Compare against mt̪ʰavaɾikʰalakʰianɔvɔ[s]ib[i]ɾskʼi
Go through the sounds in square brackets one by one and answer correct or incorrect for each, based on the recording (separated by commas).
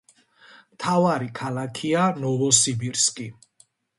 correct, correct